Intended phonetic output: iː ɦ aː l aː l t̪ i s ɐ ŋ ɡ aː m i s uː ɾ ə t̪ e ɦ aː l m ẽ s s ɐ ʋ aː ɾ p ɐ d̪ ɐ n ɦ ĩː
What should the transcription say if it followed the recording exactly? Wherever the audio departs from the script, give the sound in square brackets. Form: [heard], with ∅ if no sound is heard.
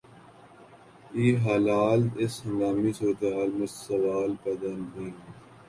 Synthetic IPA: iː ɦ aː l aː l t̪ [ɪ] s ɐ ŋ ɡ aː m i s uː ɾ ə t̪ e ɦ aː l m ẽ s s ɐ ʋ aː [l] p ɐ d̪ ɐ n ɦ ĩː

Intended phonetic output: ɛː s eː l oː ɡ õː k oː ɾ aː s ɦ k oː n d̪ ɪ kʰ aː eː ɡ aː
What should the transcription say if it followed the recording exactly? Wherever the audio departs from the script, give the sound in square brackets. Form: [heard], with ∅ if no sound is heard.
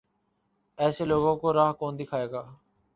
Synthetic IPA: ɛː s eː l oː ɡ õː k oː ɾ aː [∅] ɦ k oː n d̪ ɪ kʰ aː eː ɡ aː

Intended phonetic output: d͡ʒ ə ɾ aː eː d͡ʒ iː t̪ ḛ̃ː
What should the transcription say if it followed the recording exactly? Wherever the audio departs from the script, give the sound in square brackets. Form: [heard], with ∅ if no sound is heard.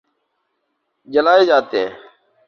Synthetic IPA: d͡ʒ ə [l] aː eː d͡ʒ [aː] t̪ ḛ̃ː

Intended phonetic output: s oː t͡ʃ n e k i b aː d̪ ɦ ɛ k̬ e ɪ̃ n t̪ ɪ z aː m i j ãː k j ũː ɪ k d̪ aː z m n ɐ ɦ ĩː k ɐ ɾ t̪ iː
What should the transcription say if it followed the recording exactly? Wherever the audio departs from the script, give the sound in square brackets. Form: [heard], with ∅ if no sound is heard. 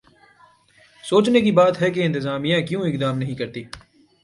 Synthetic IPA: s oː t͡ʃ n e k i b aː [t̪] ɦ ɛ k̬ e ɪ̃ n t̪ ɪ z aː m i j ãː k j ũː ɪ k d̪ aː [∅] m n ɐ ɦ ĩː k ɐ ɾ t̪ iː

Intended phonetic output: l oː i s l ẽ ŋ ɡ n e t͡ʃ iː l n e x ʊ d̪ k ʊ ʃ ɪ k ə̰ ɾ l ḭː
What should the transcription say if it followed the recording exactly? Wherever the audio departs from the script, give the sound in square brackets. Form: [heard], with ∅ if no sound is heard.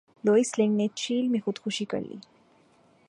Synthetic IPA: l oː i s l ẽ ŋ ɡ n e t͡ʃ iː l [m] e x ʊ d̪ [x] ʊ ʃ [i] k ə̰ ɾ l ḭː

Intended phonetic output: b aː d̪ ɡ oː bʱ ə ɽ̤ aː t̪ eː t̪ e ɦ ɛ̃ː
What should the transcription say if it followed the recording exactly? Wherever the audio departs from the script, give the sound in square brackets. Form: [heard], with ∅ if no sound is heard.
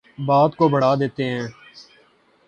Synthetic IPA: b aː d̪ [k] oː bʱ ə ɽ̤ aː [d̪] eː t̪ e ɦ ɛ̃ː

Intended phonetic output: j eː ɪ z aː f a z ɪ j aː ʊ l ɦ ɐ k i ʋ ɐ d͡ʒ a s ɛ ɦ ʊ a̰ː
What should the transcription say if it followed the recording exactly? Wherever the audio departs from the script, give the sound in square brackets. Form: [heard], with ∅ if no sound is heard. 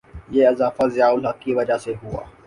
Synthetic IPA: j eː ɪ z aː f a z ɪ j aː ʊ l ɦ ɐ k i ʋ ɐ d͡ʒ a s [e] ɦ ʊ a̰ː

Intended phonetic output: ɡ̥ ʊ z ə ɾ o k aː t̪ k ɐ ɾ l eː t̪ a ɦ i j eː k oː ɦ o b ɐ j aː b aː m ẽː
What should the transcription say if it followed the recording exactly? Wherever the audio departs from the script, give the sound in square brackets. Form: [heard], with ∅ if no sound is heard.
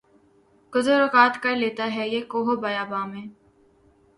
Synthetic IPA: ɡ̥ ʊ z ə ɾ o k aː t̪ k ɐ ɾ l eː t̪ a ɦ [ɛ] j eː k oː ɦ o b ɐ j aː b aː m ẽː

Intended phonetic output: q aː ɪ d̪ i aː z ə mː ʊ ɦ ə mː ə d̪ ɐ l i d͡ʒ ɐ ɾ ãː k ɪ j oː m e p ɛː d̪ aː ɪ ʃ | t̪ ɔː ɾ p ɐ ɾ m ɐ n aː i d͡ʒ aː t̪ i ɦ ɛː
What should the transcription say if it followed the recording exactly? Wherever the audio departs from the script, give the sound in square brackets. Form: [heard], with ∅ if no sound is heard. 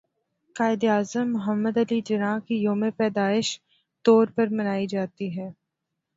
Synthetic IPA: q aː ɪ d̪ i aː z ə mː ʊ ɦ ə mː ə d̪ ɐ l i d͡ʒ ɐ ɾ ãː k [i] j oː m e p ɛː d̪ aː ɪ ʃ | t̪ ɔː ɾ p ɐ ɾ m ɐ n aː i d͡ʒ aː t̪ i ɦ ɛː

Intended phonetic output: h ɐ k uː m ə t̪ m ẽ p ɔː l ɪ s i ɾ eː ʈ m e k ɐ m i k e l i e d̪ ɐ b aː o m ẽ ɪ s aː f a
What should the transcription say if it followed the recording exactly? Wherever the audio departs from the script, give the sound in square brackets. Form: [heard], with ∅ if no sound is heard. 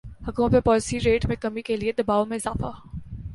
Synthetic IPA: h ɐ k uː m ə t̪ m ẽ p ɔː l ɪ s i ɾ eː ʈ m [ẽ] k ɐ m i k e l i e d̪ ɐ b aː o m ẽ ɪ [z] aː f a

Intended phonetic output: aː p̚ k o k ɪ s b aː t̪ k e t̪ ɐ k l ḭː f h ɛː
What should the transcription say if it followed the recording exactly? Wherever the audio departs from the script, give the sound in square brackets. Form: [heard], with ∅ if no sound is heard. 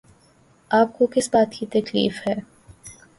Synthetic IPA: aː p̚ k o k ɪ s b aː t̪ k [i] t̪ ɐ k l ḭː f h ɛː

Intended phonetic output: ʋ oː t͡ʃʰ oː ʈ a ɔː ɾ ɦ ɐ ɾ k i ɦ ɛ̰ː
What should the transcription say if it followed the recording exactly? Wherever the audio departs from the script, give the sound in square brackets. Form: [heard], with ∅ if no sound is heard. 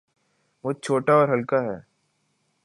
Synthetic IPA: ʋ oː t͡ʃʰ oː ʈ a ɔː ɾ ɦ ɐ [l] k [a] ɦ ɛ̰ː

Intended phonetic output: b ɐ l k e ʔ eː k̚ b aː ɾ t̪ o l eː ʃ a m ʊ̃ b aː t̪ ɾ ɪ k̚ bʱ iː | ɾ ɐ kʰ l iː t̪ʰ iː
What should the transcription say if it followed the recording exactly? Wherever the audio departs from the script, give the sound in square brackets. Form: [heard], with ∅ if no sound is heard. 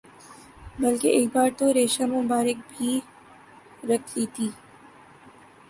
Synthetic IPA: b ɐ l k e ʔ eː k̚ b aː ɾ t̪ o [ɾ] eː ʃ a m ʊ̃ b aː [∅] ɾ ɪ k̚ bʱ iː | ɾ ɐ kʰ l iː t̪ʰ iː

